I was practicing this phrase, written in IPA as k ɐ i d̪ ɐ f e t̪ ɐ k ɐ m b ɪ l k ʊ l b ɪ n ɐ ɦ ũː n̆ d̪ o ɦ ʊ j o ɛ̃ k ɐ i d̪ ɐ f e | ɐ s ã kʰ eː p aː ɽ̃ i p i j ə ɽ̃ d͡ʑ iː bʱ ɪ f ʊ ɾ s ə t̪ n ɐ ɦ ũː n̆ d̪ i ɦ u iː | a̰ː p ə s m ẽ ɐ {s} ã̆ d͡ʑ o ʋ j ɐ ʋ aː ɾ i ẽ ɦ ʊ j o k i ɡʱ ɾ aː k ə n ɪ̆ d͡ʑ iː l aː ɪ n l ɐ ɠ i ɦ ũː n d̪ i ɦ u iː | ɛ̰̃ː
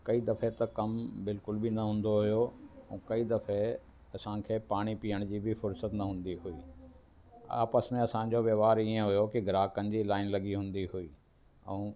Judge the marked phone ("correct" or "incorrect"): correct